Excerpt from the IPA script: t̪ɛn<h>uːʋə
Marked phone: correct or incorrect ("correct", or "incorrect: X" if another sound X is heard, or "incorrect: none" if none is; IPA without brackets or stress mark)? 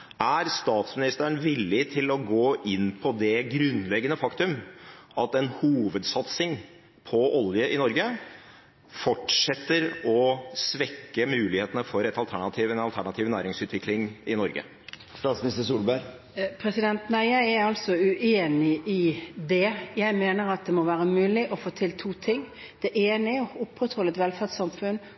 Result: correct